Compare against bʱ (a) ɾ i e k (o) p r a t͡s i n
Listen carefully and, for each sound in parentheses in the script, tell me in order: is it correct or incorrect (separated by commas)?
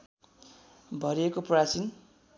incorrect, correct